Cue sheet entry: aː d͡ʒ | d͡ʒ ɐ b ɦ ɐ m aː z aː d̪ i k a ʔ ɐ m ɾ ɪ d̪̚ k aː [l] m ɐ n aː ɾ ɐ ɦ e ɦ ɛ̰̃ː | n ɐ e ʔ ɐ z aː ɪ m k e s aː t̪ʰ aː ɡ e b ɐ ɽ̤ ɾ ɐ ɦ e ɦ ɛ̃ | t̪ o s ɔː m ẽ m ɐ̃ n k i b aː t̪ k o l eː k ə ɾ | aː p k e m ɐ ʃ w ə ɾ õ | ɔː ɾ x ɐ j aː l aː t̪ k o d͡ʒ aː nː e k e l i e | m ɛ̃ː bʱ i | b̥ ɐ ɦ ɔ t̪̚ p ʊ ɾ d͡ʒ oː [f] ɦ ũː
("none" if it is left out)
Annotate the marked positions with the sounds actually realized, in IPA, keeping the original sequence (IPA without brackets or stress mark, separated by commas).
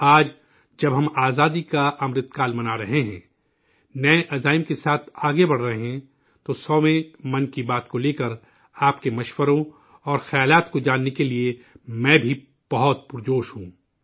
l, ʃ